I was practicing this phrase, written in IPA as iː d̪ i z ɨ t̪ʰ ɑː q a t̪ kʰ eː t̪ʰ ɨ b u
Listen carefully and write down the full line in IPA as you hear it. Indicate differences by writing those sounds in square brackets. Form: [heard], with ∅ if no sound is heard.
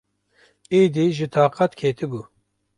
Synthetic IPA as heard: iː d̪ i [ʒ] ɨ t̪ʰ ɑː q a t̪ kʰ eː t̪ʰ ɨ b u